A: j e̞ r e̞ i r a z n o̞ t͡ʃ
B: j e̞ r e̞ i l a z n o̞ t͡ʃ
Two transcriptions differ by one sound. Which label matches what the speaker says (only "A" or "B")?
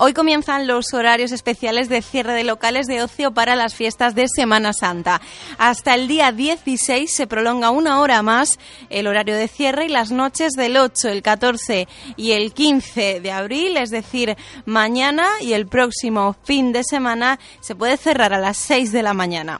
B